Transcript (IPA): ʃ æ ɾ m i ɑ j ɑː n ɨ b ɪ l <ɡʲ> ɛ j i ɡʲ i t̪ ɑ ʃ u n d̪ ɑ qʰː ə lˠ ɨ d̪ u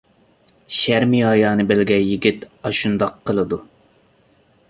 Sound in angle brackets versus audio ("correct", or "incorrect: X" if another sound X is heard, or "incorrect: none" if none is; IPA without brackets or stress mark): correct